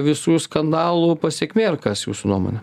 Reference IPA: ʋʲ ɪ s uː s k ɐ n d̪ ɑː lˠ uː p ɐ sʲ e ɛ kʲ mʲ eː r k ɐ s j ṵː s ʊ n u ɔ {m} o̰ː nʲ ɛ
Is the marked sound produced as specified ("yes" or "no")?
yes